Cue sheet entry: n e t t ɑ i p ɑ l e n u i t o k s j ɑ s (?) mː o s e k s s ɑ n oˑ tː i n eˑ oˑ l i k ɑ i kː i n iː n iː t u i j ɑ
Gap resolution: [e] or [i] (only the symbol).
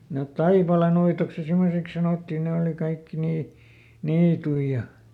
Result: i